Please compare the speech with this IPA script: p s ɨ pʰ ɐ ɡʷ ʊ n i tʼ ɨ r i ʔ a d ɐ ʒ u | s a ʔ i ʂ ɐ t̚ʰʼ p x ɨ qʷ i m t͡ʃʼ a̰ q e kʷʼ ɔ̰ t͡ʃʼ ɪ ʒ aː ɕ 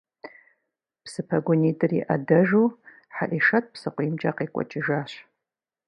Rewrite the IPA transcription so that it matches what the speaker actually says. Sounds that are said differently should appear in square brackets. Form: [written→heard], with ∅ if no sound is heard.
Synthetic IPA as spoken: p s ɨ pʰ ɐ ɡʷ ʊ n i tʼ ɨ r i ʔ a d ɐ ʒ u | [s→ħ] a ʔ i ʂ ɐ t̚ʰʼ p [x→s] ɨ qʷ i m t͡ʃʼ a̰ q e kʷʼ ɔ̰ t͡ʃʼ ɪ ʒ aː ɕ